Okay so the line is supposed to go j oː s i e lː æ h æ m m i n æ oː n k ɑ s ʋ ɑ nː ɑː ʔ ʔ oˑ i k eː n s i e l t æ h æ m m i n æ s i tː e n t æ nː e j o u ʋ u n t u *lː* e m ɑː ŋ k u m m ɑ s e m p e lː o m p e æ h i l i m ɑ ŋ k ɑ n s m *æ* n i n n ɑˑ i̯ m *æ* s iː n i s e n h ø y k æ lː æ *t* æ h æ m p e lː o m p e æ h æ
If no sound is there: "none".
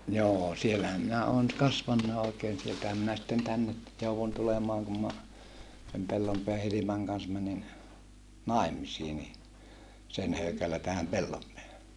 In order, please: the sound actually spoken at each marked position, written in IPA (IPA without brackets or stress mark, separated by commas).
l, æ, i, t